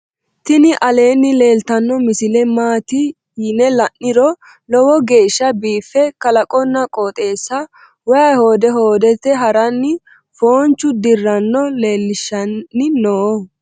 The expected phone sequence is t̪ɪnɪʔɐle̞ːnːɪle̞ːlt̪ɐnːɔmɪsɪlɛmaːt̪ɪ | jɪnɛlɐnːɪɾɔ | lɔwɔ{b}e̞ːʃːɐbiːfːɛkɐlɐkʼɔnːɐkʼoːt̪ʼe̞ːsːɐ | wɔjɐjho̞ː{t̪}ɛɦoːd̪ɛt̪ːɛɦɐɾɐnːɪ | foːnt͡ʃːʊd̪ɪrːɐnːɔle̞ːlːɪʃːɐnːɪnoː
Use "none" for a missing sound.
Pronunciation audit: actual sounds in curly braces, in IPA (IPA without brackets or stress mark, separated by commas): ɡ, d̪